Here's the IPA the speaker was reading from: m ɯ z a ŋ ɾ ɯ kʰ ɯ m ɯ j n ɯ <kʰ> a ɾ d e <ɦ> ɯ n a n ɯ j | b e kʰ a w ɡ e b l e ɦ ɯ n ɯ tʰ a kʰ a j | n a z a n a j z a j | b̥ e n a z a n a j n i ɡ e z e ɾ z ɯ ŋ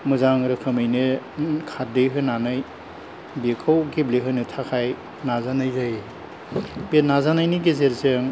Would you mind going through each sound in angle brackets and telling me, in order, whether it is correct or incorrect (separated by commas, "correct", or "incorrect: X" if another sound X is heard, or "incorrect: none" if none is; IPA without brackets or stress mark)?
correct, correct